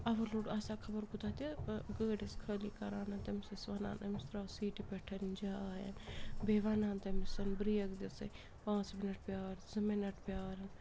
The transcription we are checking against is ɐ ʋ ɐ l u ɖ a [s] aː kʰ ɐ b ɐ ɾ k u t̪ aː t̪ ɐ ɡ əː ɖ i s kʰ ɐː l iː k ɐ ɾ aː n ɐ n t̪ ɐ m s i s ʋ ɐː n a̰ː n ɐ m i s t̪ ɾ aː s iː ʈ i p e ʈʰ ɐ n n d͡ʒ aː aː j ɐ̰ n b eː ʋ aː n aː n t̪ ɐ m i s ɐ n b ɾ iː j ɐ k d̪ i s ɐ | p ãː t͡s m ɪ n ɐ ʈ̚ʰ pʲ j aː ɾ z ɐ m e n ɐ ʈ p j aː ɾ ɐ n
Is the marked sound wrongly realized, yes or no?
no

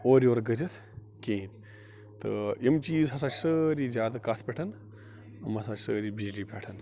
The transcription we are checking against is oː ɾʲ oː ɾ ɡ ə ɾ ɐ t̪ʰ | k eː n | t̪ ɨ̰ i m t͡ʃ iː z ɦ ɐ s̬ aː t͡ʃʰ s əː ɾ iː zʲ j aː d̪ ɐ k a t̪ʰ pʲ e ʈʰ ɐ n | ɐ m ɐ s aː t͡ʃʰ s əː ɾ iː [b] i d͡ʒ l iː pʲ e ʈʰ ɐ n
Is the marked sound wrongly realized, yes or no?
no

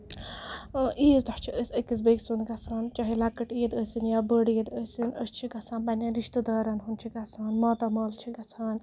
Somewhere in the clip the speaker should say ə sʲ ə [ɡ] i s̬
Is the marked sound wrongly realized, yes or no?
yes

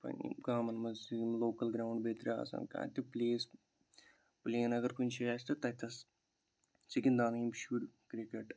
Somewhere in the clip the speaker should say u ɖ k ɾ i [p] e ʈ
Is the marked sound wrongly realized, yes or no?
yes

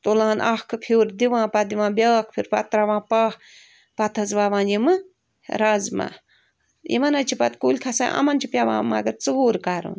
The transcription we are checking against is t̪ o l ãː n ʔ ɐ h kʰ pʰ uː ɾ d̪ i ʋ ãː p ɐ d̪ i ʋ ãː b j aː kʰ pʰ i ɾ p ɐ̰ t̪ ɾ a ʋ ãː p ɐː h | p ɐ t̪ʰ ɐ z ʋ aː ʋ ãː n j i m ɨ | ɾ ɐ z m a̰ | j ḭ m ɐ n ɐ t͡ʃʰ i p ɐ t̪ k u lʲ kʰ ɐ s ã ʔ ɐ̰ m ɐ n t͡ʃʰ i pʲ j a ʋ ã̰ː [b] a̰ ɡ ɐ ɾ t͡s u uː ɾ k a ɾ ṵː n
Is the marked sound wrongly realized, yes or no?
yes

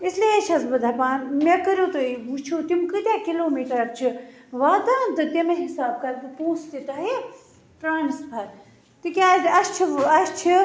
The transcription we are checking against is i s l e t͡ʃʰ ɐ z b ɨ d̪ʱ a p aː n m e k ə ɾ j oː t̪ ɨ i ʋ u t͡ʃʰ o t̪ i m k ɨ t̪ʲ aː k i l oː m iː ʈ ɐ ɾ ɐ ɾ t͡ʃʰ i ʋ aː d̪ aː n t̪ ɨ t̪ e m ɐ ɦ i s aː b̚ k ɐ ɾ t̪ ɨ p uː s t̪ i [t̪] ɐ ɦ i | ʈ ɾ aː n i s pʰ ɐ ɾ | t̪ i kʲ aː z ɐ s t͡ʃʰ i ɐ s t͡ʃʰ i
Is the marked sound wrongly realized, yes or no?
no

